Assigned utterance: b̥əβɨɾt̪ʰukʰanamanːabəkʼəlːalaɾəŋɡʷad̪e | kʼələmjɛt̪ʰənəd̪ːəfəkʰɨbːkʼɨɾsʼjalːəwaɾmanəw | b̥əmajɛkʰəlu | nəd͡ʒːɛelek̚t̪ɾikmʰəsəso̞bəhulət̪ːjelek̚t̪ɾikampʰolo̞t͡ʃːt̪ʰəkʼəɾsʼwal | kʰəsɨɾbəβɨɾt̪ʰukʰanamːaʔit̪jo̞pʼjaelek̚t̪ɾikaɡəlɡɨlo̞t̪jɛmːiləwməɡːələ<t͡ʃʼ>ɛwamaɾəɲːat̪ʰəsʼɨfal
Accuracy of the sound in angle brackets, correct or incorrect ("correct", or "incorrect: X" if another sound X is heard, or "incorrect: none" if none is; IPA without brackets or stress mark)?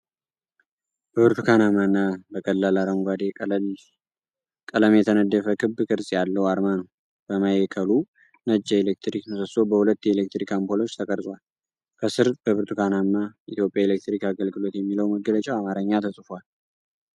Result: correct